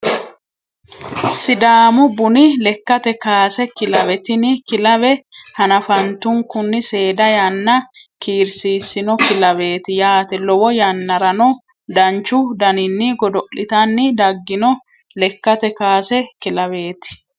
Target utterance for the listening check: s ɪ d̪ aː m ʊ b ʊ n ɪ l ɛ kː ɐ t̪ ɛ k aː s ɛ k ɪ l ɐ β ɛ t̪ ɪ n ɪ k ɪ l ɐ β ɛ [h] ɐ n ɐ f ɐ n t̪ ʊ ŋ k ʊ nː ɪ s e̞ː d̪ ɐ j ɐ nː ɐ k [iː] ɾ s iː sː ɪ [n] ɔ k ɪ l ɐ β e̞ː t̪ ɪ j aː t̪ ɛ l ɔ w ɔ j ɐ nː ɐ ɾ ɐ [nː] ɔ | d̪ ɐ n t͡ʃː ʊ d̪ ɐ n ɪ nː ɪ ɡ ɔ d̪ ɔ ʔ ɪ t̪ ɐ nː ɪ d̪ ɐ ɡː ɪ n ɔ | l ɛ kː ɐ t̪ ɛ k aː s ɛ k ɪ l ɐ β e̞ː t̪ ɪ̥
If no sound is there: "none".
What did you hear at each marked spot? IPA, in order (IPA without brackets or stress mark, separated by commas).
h, iː, n, n